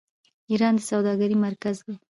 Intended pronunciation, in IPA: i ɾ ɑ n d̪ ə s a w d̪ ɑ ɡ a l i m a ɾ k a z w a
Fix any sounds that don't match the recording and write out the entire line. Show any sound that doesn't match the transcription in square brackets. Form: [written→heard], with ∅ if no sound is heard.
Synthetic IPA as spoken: i ɾ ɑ n d̪ ə s a w d̪ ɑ ɡ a [l→ɾ] i m a ɾ k a z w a

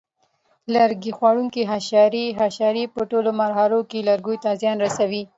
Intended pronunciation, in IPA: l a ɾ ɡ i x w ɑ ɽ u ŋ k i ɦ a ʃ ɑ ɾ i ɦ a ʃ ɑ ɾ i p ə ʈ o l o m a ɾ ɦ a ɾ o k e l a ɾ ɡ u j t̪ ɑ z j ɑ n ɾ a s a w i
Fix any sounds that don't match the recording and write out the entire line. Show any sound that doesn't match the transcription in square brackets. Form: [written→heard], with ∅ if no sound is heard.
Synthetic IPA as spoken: l a ɾ ɡ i x w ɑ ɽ u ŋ k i ɦ a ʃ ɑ ɾ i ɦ a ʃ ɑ ɾ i p ə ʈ o l o m a ɾ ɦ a ɾ o k e l a ɾ ɡ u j t̪ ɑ z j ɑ n ɾ a s a w i

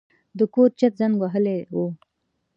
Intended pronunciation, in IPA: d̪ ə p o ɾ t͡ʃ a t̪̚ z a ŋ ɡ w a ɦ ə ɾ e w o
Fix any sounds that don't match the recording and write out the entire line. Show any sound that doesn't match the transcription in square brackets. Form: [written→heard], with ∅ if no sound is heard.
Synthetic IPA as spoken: d̪ ə [p→k] o ɾ t͡ʃ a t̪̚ z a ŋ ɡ w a ɦ ə [ɾ→l] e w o

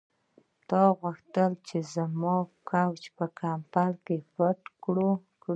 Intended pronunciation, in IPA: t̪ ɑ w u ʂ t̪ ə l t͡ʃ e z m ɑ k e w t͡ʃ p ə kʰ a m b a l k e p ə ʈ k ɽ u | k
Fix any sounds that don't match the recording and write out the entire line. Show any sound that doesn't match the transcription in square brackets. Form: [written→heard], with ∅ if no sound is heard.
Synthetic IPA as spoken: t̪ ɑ [w→ɣ] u [ʂ→x] t̪ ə l t͡ʃ e z m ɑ k [e→a] w t͡ʃ p ə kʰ a m [b→p] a l k e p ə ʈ k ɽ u | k

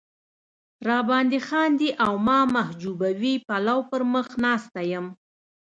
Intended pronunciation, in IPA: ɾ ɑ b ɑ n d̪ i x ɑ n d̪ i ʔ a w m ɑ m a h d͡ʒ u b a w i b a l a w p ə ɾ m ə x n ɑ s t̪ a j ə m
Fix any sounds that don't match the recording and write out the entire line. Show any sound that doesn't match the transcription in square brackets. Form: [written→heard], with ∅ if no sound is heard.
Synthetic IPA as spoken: ɾ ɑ b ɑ n d̪ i x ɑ n d̪ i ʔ a w m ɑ m a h d͡ʒ u b a w i [b→p] a l a w p ə ɾ m ə x n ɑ s t̪ a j ə m

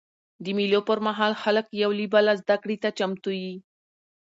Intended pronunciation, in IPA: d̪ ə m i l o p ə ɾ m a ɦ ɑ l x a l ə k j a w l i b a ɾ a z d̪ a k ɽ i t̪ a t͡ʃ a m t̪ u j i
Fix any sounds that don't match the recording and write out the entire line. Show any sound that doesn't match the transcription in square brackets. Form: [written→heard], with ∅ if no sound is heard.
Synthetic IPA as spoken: d̪ ə m i l o p ə ɾ m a ɦ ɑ l x a l ə k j a w l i b a [ɾ→l] a z d̪ a k ɽ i t̪ a t͡ʃ a m t̪ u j i

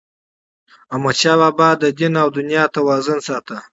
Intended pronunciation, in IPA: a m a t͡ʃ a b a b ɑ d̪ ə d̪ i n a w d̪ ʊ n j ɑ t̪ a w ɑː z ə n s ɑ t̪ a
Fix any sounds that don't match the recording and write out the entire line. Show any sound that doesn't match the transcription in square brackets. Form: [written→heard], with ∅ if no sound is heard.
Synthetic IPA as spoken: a m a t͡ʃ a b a b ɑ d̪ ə d̪ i n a w d̪ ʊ n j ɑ t̪ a w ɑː z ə n s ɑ t̪ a

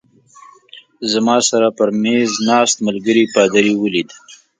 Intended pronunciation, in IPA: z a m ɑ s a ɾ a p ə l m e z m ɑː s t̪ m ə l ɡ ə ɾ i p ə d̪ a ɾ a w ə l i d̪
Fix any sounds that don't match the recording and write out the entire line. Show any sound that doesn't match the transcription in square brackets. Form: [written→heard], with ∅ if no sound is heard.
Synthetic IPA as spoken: z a m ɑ s a ɾ a p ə [l→ɾ] m e z [m→n] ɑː s t̪ m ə l ɡ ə ɾ i p [ə→ɑ] d̪ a ɾ [a→i] w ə l i d̪

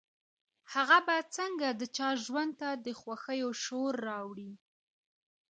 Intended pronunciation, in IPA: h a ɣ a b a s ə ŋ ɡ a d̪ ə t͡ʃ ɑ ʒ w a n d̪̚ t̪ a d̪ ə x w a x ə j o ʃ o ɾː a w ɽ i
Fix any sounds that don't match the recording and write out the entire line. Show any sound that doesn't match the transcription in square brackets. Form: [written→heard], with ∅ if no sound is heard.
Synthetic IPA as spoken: h a ɣ a b a [s→t͡s] ə ŋ ɡ a d̪ ə t͡ʃ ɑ ʒ w a n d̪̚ t̪ a d̪ ə x w a x ə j o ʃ o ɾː [a→ɑ] w ɽ i

